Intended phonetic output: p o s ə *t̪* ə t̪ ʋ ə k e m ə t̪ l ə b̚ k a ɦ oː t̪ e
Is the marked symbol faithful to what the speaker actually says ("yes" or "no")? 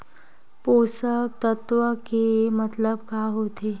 yes